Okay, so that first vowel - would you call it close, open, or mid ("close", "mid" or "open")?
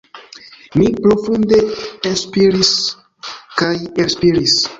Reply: close